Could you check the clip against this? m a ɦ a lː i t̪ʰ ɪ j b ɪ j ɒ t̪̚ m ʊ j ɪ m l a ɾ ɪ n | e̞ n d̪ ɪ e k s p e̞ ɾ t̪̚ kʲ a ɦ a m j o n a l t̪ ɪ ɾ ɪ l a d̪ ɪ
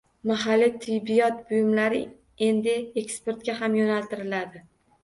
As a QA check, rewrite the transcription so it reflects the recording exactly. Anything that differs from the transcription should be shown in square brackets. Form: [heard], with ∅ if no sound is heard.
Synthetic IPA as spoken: m a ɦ a lː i t̪ʰ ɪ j b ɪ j ɒ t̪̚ [b] ʊ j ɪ m l a ɾ ɪ [∅] | e̞ n d̪ ɪ e k s p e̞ ɾ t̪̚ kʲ a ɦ a m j o n a l t̪ ɪ ɾ ɪ l a d̪ ɪ